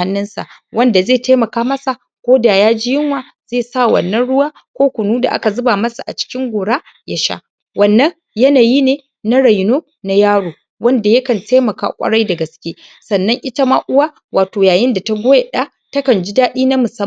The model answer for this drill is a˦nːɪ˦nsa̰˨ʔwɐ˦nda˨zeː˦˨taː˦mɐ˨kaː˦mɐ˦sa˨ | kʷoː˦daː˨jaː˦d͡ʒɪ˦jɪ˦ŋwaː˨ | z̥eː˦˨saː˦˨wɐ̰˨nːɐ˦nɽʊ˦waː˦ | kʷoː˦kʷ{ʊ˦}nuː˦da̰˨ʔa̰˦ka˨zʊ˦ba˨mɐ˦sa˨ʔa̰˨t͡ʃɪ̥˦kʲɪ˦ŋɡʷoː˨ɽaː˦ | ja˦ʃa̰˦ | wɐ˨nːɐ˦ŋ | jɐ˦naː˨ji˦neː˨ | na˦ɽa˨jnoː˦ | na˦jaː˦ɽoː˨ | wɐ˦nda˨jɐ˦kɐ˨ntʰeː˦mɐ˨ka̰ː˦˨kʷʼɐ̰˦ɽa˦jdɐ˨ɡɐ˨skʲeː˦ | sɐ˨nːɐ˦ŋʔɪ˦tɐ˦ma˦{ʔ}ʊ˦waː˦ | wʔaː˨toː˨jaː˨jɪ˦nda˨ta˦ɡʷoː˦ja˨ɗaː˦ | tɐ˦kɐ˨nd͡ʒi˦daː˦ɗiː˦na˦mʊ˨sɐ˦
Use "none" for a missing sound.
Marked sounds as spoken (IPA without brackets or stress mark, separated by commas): ʊ˨, ʔ